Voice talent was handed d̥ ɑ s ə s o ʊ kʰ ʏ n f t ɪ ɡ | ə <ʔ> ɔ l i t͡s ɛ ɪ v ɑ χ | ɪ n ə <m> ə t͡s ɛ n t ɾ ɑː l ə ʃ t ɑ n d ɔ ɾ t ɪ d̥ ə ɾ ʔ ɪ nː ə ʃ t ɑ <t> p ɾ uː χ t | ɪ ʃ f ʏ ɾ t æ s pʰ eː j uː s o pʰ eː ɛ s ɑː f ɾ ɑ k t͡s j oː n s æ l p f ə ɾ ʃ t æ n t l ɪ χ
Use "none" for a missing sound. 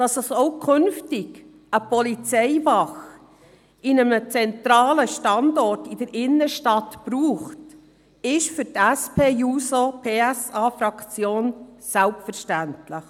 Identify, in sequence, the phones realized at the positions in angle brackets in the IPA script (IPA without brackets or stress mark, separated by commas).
p, m, t